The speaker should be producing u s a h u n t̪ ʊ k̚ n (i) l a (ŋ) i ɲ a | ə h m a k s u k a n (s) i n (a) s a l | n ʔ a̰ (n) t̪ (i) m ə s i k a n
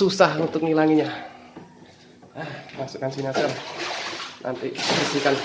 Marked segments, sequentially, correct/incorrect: correct, correct, correct, correct, correct, correct

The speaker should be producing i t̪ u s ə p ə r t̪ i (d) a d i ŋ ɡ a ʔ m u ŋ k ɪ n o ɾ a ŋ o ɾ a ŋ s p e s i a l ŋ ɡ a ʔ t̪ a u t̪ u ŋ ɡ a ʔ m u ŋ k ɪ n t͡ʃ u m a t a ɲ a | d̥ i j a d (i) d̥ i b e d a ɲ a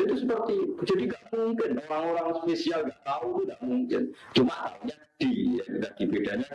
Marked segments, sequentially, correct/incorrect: incorrect: d͡ʒ, incorrect: a

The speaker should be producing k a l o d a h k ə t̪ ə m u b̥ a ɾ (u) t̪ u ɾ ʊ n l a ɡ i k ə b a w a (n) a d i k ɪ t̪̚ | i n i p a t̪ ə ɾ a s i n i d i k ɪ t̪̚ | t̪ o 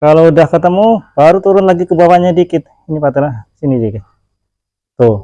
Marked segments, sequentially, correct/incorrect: correct, incorrect: ɲ

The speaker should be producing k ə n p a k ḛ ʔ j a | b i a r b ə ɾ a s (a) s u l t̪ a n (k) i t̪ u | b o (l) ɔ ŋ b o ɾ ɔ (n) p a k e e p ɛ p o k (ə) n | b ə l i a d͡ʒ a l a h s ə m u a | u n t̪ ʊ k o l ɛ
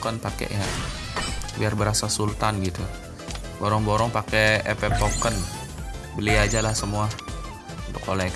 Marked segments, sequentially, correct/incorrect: correct, incorrect: ɡ, incorrect: ɾ, incorrect: ŋ, correct

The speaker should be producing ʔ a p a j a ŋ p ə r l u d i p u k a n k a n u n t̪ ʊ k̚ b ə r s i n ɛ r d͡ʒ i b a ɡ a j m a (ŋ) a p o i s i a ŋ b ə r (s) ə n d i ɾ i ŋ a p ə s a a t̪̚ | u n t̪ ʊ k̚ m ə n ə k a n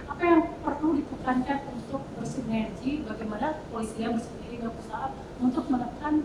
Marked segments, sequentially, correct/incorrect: incorrect: n, correct

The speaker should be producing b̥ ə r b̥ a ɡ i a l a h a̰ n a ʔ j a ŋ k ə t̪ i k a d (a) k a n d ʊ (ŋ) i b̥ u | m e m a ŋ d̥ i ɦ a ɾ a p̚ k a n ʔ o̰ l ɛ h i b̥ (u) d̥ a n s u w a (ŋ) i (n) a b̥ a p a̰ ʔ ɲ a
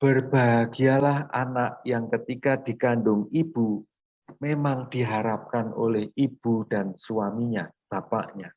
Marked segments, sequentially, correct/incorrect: incorrect: i, correct, correct, incorrect: m, incorrect: ɲ

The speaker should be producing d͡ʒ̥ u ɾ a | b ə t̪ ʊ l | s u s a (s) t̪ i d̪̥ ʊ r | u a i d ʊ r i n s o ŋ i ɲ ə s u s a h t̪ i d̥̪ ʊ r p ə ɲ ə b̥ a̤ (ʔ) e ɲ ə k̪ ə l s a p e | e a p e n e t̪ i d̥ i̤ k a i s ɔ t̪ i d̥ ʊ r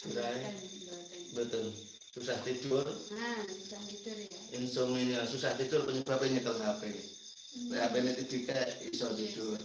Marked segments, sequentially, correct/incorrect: incorrect: h, incorrect: p

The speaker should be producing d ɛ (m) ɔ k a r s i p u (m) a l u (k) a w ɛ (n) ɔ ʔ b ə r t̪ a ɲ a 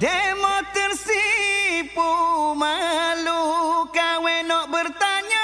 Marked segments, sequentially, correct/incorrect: correct, correct, correct, correct

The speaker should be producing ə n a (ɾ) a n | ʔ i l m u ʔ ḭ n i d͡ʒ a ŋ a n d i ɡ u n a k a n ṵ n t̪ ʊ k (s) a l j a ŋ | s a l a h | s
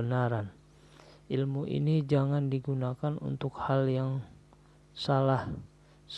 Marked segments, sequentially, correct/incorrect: correct, incorrect: h

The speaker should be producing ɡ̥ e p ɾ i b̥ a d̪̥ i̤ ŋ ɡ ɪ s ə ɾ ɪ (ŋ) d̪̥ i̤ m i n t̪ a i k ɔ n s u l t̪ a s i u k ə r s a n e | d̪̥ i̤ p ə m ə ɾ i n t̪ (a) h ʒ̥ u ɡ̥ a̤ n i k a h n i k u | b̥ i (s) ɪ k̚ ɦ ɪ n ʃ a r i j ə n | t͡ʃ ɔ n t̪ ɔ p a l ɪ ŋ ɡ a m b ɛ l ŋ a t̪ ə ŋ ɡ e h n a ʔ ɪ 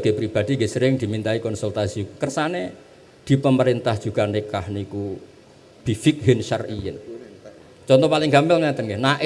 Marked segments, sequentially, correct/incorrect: correct, correct, incorrect: f

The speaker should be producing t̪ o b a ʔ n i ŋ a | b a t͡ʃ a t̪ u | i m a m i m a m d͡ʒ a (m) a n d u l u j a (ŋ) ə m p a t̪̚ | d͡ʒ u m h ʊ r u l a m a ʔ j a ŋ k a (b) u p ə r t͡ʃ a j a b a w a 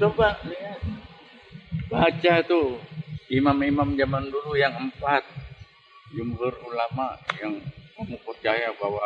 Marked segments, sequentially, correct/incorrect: correct, correct, incorrect: m

